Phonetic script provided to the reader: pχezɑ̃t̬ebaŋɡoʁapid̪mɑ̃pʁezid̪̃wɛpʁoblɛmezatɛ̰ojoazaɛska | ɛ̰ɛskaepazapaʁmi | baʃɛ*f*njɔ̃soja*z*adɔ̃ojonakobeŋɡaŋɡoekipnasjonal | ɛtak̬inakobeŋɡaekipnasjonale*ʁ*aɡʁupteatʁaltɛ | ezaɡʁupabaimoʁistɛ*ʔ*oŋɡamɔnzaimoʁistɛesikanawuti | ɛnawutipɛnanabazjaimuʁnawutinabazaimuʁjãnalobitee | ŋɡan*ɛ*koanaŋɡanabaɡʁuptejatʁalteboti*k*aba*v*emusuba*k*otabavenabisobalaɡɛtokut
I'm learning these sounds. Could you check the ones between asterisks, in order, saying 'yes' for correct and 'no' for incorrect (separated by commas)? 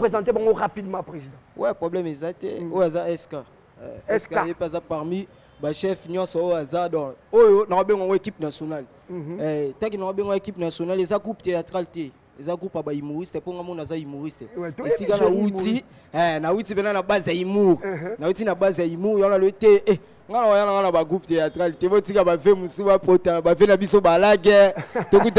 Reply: yes, yes, no, no, no, yes, yes, no